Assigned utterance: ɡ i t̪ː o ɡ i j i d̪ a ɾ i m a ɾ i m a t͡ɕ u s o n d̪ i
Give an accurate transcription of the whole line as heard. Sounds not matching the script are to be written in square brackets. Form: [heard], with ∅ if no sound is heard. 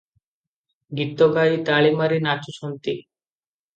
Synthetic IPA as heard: ɡ i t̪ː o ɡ [a] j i [t̪] a [ɭ] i m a ɾ i [n] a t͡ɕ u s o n [t̪] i

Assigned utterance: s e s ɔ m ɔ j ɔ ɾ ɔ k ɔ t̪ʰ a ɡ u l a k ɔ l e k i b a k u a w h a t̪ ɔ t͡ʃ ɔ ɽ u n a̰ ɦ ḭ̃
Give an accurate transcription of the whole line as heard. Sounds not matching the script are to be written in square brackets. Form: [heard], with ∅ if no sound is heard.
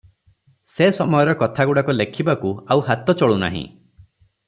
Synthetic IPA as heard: s e s ɔ m ɔ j ɔ ɾ ɔ k ɔ t̪ʰ a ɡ u [ɽ] a k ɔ l e [kʰ] i b a k u a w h a t̪ ɔ t͡ʃ ɔ [ɭ] u n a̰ ɦ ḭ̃

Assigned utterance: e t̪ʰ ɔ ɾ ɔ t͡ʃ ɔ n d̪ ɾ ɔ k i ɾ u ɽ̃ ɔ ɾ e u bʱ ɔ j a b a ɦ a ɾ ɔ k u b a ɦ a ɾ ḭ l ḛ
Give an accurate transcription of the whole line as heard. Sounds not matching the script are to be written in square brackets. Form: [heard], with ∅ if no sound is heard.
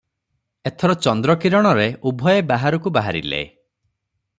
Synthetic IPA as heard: e t̪ʰ ɔ ɾ ɔ t͡ʃ ɔ n d̪ ɾ ɔ k i ɾ [ɔ] ɽ̃ ɔ ɾ e u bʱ ɔ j [e] b a ɦ a ɾ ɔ k u b a ɦ a ɾ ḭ l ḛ

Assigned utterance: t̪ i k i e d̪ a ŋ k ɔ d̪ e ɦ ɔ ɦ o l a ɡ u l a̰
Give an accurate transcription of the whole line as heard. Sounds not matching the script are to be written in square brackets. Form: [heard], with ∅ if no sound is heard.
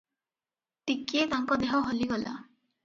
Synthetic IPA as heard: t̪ i k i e [t̪] a ŋ k ɔ d̪ e ɦ ɔ ɦ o l [i] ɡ [ɔ] l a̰

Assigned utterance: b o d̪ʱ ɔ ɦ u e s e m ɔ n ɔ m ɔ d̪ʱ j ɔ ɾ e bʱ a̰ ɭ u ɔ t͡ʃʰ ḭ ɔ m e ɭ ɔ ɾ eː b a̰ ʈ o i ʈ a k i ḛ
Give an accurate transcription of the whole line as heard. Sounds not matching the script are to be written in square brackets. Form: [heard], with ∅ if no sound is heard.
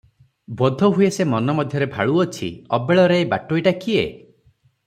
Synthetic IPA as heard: b [ɔ] d̪ʱ ɔ ɦ u e s e m ɔ n ɔ m ɔ d̪ʱ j ɔ ɾ e bʱ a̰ ɭ u ɔ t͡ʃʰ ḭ ɔ [b] e ɭ ɔ ɾ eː b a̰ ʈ o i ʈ a k i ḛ

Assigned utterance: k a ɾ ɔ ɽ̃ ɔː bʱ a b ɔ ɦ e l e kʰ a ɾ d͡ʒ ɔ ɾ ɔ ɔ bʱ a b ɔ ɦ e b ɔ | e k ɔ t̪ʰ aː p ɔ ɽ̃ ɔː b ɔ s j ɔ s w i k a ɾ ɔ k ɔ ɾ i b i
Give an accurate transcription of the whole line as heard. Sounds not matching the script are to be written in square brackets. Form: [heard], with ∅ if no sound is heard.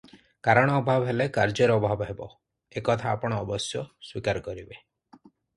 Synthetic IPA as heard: k a ɾ ɔ ɽ̃ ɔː bʱ a b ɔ ɦ e l e [k] a ɾ d͡ʒ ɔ ɾ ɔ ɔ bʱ a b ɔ ɦ e b ɔ | e k ɔ t̪ʰ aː p ɔ ɽ̃ ɔː b ɔ s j ɔ s w i k a ɾ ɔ k ɔ ɾ i b [e]

